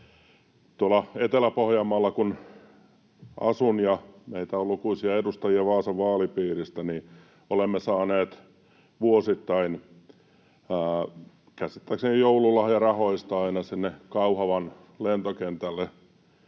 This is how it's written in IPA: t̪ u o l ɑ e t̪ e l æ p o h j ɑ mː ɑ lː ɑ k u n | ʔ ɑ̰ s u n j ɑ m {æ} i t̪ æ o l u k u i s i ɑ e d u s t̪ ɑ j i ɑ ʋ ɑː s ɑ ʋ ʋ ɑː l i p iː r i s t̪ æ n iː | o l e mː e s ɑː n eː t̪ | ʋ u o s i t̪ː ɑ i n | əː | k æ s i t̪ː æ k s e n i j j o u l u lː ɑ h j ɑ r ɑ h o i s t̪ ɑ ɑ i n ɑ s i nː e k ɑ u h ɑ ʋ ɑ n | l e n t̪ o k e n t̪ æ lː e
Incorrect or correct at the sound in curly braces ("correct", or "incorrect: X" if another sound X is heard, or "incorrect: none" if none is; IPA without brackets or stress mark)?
incorrect: e